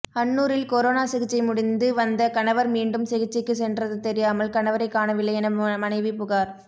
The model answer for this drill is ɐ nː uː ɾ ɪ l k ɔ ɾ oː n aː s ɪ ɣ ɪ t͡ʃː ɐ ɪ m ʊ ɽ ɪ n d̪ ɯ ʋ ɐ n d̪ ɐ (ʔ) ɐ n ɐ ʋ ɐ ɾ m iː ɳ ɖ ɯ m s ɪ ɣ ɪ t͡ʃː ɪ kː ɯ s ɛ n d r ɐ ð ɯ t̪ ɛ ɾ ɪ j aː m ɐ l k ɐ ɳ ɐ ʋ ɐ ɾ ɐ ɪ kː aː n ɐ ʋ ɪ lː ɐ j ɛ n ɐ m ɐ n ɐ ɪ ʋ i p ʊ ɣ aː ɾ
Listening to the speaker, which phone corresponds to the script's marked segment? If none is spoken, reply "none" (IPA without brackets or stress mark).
k